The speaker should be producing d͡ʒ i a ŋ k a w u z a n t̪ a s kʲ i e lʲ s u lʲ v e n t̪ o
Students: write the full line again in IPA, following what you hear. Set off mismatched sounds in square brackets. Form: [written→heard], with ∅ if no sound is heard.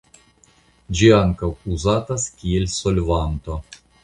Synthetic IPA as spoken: d͡ʒ i a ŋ k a w u z a [n→∅] t̪ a s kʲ i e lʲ s [u→o] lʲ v [e→a] n t̪ o